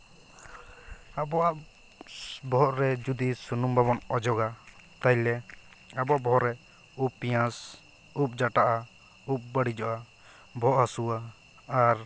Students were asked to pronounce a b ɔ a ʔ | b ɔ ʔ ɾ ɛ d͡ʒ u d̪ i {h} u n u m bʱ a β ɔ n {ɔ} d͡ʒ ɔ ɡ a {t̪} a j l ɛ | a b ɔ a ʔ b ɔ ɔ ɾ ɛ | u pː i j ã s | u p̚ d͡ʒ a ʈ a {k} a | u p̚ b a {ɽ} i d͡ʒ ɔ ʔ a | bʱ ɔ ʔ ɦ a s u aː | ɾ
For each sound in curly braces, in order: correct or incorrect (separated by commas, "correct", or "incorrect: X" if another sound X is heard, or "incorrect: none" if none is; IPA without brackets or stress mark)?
incorrect: s, correct, correct, incorrect: ʔ, correct